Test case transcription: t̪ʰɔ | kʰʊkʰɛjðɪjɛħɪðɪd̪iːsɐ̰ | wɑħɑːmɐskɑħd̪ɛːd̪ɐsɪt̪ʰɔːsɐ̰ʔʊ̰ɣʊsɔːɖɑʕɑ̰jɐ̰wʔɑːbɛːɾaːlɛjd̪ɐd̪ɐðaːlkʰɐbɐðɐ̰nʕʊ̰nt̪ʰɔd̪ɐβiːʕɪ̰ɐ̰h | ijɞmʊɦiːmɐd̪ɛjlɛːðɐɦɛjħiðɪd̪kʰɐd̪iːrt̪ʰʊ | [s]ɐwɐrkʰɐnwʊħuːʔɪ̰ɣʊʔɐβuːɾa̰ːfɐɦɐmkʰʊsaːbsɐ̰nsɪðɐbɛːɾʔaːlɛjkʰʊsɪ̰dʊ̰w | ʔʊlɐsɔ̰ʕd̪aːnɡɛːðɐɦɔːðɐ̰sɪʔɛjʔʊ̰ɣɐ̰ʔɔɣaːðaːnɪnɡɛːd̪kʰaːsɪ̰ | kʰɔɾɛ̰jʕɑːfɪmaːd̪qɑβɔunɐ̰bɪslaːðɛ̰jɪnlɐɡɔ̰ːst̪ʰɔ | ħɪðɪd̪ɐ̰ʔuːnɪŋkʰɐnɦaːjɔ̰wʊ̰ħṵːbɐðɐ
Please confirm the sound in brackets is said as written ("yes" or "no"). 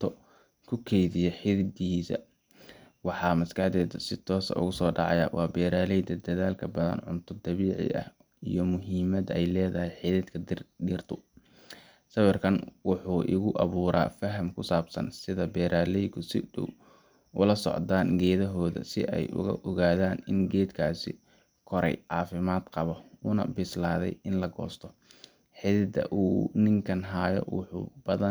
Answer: yes